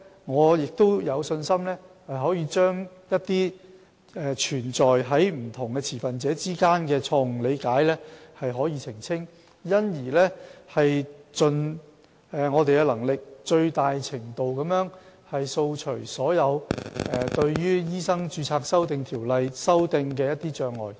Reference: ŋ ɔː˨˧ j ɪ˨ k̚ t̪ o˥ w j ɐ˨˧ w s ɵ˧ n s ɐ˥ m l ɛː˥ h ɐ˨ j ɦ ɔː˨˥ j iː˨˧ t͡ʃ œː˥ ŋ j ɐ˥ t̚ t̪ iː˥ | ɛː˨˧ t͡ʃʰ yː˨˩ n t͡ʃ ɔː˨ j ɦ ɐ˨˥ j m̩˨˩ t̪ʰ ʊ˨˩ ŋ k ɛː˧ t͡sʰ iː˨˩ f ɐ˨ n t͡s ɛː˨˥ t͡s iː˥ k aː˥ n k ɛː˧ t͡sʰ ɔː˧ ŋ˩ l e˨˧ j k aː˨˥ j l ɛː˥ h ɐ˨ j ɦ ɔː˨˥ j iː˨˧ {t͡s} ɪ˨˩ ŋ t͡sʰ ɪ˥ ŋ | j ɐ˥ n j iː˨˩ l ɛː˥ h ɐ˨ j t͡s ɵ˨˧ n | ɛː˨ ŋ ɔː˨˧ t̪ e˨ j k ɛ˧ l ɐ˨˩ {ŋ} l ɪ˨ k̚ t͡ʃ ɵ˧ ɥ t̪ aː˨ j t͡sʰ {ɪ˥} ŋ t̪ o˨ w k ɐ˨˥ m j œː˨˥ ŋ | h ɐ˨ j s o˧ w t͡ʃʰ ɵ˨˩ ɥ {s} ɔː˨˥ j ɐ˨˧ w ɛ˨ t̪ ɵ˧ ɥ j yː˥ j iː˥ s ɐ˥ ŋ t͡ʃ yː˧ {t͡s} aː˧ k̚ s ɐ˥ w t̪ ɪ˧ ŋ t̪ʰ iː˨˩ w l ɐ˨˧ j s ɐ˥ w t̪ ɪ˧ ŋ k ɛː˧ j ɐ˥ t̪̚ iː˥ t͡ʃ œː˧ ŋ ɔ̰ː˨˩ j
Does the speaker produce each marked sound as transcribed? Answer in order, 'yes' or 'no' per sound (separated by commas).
no, yes, no, yes, no